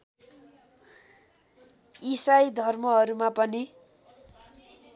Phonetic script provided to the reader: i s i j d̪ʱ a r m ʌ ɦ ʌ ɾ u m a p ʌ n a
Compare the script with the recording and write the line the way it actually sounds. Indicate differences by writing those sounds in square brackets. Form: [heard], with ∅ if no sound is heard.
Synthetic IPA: i s [a] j d̪ʱ [ʌ] r m ʌ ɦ ʌ ɾ u m a p ʌ n [i]